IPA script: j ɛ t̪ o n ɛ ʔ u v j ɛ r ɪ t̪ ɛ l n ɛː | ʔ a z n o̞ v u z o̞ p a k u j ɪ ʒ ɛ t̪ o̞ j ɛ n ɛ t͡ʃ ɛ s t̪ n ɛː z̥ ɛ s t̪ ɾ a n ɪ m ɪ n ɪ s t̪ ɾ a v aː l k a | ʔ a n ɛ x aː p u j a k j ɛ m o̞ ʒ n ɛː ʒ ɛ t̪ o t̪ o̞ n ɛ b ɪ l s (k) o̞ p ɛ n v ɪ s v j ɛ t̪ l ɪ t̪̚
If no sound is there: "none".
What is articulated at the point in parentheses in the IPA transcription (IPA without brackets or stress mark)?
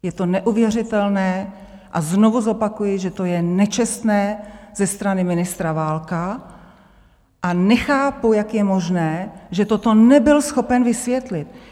x